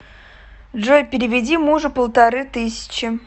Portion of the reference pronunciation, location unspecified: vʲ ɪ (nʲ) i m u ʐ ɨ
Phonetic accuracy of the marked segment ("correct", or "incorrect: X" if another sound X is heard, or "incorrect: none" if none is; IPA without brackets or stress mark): incorrect: dʲ